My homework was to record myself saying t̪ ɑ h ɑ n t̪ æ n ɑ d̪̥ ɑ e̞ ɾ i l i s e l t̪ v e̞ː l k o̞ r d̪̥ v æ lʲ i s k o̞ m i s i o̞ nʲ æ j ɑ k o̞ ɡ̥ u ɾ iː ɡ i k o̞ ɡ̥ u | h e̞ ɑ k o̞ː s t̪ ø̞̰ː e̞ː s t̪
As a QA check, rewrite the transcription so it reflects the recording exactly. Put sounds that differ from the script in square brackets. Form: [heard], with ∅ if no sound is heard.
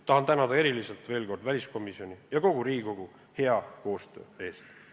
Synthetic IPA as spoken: t̪ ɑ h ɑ n t̪ æ n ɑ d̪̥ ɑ e̞ ɾ i l i s e l t̪ v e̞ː l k o̞ r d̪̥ v æ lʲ i s k o̞ m i s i o̞ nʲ [i] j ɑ k o̞ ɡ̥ u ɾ iː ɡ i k o̞ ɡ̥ u | h e̞ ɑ k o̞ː s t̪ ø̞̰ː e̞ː s t̪